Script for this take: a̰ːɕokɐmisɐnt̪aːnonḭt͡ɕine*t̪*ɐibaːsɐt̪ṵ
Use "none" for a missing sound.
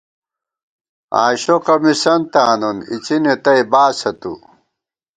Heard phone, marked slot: t̪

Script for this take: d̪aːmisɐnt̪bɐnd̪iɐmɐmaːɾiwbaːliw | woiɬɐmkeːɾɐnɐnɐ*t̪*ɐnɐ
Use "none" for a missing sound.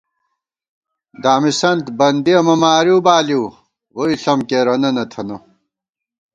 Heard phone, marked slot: t̪ʰ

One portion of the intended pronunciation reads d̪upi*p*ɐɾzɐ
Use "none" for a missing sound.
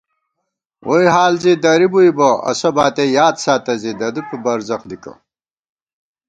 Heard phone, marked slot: b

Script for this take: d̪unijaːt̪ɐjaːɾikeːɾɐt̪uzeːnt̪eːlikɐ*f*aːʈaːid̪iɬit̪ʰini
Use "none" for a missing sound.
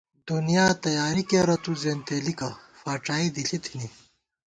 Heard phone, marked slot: f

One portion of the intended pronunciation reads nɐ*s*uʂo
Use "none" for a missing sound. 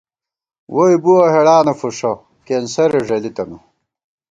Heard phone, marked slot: f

